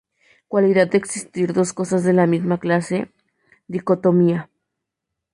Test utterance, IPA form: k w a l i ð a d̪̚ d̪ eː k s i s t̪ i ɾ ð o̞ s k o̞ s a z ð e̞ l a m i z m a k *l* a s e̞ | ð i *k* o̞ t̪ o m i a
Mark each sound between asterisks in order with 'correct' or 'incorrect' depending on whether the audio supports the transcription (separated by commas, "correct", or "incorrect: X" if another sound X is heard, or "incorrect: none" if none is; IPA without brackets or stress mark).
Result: correct, correct